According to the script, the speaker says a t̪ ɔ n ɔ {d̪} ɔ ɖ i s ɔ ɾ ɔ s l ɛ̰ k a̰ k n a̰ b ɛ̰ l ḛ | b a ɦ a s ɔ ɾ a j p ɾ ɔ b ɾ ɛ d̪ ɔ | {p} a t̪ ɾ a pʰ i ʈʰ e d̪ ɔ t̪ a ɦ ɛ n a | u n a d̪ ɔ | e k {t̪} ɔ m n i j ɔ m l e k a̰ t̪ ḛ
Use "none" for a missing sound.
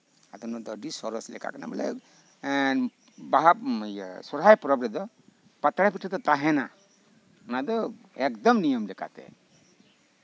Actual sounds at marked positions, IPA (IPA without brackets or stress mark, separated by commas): d̪, p, d̪